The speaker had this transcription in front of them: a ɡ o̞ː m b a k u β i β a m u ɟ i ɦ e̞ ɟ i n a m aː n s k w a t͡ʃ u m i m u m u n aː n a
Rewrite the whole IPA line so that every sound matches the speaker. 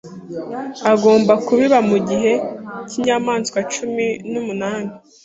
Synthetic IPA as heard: a ɡ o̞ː m b a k u β i β a m u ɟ i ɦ e̞ c i ɲ a m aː n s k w a t͡ʃ u m i n u m u n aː n i

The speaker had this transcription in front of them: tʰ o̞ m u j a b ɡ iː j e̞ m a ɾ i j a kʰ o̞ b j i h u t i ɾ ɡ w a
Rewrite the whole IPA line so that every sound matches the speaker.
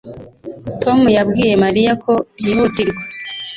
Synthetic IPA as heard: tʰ o̞ m u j a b ɡ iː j e̞ m a ɾ i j a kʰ o̞ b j i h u t i ɾ ɡ w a

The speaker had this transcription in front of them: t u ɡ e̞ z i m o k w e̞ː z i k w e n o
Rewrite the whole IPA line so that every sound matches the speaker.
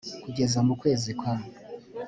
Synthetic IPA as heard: k u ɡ e̞ z a m u k w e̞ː z i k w a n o

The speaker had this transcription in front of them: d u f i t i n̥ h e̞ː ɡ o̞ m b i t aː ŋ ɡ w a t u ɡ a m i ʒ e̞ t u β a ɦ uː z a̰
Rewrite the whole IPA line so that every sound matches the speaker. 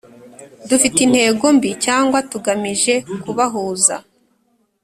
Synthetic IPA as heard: d u f i t i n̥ h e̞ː ɡ o̞ m b i c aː ŋ ɡ w a t u ɡ a m i ʒ e̞ k u β a ɦ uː z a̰

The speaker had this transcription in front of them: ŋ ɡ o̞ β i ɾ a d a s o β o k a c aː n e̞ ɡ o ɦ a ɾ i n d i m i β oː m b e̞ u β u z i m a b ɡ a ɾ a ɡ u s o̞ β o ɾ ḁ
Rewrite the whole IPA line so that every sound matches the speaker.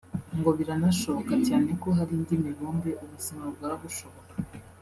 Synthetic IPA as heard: ŋ ɡ o̞ β i ɾ a n a ʃ o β o k a c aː n e̞ k o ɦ a ɾ i n d i m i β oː m b e̞ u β u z i m a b ɡ a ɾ a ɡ u ʃ o̞ β o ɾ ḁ

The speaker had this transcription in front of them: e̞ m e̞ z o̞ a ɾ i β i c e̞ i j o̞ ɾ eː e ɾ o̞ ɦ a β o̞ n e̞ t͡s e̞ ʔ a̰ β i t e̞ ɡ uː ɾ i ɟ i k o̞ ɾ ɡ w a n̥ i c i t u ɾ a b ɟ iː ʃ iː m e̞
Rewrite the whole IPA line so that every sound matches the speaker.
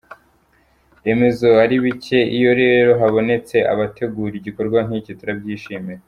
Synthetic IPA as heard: e̞ m e̞ z o̞ a ɾ i β i c e̞ i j o̞ ɾ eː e ɾ o̞ ɦ a β o̞ n e̞ t͡s e̞ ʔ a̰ β a t e̞ ɡ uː ɾ i ɟ i k o̞ ɾ ɡ w a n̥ i c i t u ɾ a b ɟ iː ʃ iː m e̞

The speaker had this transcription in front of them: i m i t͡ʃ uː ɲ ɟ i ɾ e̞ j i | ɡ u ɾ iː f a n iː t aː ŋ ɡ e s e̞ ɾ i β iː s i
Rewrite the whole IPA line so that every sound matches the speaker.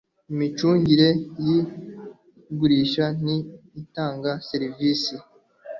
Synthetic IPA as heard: i m i t͡ʃ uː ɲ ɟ i ɾ e̞ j i | ɡ u ɾ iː ʃ a n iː t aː ŋ ɡ a s e̞ ɾ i v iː s i

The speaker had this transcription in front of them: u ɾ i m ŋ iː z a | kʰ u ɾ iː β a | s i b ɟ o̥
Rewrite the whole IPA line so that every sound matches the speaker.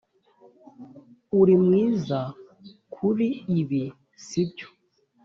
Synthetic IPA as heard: u ɾ i m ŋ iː z a | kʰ u ɾ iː β i | s i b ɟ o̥

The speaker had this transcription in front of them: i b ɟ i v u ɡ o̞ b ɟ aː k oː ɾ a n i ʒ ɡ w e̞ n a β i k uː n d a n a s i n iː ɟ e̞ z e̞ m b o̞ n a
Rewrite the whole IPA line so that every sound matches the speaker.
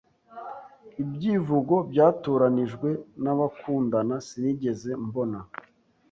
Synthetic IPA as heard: i b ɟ i v u ɡ o̞ b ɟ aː t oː ɾ a n i ʒ ɡ w e̞ n a β a k uː n d a n a s i n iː ɟ e̞ z e̞ m b o̞ n a

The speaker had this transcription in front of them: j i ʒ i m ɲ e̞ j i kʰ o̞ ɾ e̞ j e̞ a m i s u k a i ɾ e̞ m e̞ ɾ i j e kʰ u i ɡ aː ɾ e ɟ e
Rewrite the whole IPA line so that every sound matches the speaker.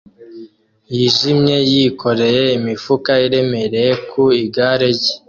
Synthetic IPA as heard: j i ʒ i m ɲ e̞ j i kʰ o̞ ɾ e̞ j e̞ i m i f u k a i ɾ e̞ m e̞ ɾ e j e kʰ u i ɡ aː ɾ e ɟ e

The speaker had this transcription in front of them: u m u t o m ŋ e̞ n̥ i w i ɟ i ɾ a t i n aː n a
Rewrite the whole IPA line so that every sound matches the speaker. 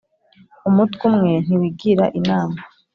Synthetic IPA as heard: u m u t u m ŋ e̞ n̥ i w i ɡ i ɾ a ʔ i n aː m a

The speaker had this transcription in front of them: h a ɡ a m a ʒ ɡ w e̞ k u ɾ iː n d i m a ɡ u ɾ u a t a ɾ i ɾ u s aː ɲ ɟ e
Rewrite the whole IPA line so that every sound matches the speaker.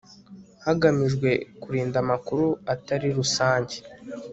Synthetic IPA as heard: h a ɡ a m i ʒ ɡ w e̞ k u ɾ iː n d a m a k u ɾ u a t a ɾ i ɾ u s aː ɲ ɟ e

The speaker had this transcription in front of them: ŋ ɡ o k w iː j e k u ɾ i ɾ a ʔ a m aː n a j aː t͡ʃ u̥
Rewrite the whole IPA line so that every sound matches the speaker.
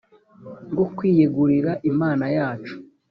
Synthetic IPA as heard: ŋ ɡ o k w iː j e ɡ u ɾ i ɾ a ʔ i m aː n a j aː t͡ʃ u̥

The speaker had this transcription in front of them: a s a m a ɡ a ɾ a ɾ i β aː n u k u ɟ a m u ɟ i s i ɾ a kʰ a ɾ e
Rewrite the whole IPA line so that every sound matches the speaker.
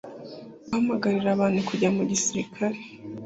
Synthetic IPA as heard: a h a m a ɡ a ɾ i ɾ a β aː n u k u ɟ a m u ɟ i s i ɾ i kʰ a ɾ e

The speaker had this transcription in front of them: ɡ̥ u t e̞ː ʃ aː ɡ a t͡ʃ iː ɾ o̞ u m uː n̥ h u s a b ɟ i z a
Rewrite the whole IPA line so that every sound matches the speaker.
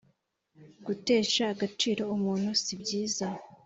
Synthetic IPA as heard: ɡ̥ u t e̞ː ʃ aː ɡ a t͡ʃ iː ɾ o̞ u m uː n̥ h u s i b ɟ iː z a

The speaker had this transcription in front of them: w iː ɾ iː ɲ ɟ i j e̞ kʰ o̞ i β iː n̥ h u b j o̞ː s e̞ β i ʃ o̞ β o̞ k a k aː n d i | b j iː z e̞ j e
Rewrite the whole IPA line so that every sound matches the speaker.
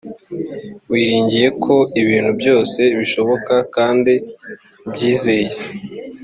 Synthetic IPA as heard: w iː ɾ iː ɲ ɟ i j e̞ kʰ o̞ i β iː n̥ h u b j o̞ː s e̞ β i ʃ o̞ β o̞ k a k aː n d i | b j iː z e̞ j e

